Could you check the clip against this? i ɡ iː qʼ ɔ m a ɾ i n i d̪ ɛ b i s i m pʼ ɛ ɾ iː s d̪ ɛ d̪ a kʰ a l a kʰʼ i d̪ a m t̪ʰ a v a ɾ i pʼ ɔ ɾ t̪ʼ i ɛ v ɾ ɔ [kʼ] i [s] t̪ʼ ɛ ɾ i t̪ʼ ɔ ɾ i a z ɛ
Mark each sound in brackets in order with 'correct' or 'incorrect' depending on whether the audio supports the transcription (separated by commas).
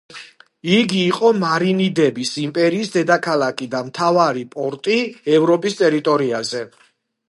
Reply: incorrect, correct